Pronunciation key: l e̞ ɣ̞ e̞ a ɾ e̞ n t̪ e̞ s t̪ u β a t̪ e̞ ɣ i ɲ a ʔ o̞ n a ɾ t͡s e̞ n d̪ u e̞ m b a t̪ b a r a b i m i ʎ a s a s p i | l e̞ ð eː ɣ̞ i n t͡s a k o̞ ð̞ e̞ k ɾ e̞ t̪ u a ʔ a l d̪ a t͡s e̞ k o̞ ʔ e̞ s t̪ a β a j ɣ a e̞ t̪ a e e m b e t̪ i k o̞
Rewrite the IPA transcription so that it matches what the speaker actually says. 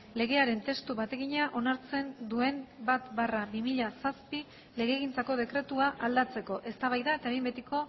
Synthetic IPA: l e̞ ɣ̞ e̞ a ɾ e̞ n t̪ e̞ s t̪ u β a t̪ e̞ ɣ i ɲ a ʔ o̞ n a ɾ t͡s e̞ n d̪ u e̞ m b a t̪ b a r a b i m i ʎ a s a s p i | l e̞ ɣ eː ɣ̞ i n t͡s a k o̞ ð̞ e̞ k ɾ e̞ t̪ u a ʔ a l d̪ a t͡s e̞ k o̞ ʔ e̞ s t̪ a β a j ð a e̞ t̪ a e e m b e t̪ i k o̞